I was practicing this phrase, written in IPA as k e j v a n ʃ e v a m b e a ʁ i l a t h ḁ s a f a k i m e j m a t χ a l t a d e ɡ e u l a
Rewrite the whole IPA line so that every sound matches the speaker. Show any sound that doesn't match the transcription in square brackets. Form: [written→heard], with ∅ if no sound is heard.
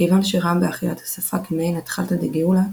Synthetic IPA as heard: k e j v a n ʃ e [v→ʁ] a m b e a [ʁ→χ] i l a t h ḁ s a f a k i m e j [m→n] a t χ a l t a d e ɡ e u l a